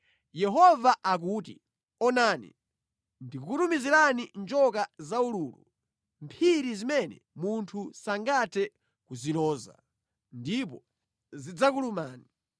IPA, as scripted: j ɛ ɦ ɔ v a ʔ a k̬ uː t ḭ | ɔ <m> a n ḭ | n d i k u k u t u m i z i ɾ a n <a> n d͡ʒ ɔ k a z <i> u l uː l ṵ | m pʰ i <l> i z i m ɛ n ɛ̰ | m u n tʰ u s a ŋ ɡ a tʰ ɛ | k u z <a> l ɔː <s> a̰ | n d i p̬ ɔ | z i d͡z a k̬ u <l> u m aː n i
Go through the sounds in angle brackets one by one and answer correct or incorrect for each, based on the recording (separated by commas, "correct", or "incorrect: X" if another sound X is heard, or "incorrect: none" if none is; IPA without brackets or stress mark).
incorrect: n, incorrect: i, incorrect: a, incorrect: ɾ, incorrect: i, incorrect: z, correct